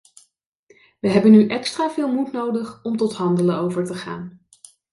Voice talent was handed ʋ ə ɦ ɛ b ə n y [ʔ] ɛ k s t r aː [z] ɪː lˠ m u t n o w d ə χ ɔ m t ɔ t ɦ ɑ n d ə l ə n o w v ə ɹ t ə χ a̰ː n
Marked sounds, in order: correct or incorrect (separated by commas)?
correct, incorrect